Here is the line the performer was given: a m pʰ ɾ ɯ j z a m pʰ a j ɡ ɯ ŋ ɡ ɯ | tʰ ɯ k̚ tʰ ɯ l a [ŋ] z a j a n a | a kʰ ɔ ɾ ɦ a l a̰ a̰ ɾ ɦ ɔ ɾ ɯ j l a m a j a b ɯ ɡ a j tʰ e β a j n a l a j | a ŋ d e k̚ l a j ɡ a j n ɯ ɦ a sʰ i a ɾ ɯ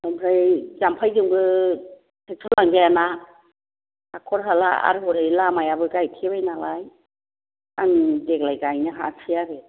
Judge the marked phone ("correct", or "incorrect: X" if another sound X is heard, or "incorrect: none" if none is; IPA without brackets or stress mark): correct